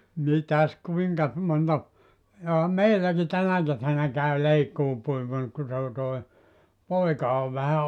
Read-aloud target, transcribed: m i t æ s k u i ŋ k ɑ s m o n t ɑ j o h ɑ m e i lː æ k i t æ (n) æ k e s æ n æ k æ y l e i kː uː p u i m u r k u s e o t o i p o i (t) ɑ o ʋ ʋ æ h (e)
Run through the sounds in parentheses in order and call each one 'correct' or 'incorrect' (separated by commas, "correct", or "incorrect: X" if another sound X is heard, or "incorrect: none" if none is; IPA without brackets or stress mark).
correct, incorrect: k, incorrect: æ